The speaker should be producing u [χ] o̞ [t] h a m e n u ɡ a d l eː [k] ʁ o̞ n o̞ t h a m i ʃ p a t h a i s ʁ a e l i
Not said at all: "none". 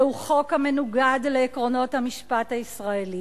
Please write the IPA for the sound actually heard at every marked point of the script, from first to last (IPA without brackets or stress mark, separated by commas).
χ, k, k